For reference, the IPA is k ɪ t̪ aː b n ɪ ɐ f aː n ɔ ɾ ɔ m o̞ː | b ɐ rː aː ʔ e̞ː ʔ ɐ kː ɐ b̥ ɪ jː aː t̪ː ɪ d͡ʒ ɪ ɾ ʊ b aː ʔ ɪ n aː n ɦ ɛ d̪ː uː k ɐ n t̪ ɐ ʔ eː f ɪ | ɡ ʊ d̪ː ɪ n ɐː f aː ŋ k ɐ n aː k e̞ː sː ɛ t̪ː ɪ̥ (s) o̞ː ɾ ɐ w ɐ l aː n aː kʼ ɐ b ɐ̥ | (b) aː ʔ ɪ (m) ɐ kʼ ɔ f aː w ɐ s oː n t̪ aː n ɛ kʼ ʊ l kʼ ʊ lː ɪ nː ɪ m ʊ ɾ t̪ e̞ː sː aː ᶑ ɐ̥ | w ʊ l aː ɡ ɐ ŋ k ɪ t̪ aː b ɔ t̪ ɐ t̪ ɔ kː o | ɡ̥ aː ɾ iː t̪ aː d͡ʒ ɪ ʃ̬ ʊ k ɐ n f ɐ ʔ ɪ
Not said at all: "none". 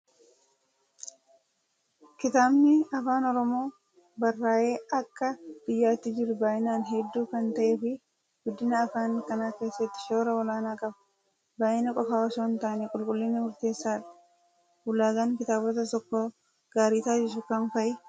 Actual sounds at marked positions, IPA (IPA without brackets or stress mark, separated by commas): ʃ, b, n